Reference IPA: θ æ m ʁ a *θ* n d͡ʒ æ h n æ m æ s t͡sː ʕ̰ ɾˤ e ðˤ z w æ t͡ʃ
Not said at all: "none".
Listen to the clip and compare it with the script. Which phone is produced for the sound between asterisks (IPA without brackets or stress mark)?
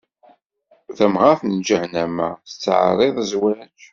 θ